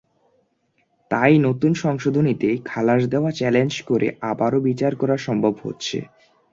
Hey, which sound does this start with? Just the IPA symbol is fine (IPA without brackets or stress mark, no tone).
t̪